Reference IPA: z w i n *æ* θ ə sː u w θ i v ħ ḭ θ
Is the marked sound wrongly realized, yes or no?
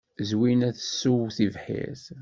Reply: no